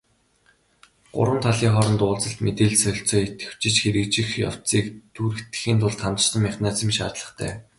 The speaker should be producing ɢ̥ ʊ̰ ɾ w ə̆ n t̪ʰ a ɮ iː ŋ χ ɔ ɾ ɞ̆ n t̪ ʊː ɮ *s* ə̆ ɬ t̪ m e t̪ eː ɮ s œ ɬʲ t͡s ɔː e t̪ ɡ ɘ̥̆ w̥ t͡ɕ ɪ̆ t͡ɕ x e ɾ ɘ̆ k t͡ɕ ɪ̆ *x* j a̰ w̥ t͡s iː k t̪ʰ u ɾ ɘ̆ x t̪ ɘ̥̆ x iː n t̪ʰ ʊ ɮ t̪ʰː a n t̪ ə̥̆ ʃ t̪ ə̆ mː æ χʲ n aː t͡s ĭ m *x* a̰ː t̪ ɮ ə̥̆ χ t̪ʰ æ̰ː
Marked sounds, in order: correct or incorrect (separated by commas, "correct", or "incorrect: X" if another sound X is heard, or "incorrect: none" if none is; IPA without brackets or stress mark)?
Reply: incorrect: t͡s, correct, incorrect: ʃ